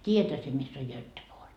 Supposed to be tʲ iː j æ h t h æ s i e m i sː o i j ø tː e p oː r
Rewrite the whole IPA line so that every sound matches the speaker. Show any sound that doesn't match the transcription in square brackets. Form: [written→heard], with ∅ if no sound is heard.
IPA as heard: tʲ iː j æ [h→∅] t h æ s i e m i sː o [i→j] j ø tː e p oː r